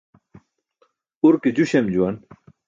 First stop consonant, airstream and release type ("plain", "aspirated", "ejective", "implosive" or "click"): plain